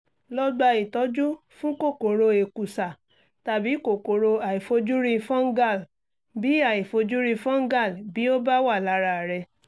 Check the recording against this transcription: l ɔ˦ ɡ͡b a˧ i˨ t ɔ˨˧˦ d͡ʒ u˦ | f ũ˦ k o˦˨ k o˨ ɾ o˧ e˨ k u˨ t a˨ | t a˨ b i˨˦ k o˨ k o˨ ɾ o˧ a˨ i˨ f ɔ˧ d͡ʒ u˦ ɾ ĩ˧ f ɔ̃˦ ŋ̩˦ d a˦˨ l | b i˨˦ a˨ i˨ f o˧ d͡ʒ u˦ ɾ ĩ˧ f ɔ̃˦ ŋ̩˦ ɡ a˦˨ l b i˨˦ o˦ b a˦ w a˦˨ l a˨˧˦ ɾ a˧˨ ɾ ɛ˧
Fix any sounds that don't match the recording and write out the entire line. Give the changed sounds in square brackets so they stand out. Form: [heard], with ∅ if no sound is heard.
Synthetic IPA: l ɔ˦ ɡ͡b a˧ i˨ t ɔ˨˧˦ d͡ʒ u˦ | f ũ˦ k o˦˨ k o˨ ɾ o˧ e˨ k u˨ [s] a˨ | t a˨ b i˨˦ k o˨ k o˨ ɾ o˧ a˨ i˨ f [o˧] d͡ʒ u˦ ɾ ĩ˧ f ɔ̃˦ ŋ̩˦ [ɡ] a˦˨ l | b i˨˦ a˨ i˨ f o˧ d͡ʒ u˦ ɾ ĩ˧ f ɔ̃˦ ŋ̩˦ ɡ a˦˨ l b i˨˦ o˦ b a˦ w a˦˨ l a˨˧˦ ɾ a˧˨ ɾ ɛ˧